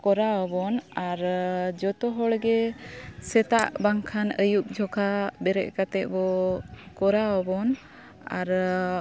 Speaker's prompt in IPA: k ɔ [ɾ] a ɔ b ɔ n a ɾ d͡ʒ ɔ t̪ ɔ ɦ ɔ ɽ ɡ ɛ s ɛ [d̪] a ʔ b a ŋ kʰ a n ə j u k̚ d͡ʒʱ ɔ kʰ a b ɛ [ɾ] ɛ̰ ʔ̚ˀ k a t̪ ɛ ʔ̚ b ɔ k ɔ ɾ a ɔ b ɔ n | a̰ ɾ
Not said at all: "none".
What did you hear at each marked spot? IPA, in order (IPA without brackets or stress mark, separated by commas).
ɾ, t̪, ɾ